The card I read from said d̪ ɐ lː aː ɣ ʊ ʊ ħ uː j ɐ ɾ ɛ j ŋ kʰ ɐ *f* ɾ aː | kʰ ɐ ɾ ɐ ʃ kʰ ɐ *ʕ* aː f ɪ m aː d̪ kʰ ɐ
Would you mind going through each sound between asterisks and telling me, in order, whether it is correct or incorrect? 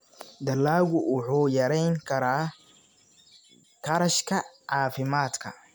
incorrect, correct

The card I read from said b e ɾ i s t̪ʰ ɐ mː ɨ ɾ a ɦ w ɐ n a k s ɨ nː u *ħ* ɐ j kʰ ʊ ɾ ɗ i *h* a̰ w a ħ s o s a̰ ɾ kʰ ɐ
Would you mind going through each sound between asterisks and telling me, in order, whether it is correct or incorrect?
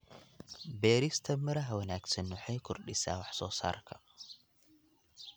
correct, incorrect

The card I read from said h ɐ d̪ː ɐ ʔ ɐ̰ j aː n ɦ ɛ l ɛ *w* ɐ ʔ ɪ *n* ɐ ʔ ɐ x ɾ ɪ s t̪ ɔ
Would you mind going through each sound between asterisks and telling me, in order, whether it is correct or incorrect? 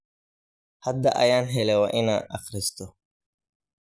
correct, correct

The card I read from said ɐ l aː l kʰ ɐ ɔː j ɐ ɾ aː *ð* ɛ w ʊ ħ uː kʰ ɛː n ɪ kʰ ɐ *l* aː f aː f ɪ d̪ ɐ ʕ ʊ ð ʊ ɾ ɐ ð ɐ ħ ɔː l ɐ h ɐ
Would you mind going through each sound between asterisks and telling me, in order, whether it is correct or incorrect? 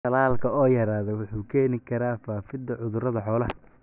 correct, incorrect

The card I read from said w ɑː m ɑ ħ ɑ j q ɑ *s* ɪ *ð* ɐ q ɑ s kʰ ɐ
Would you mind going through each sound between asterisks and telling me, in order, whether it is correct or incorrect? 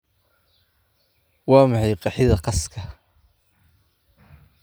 incorrect, correct

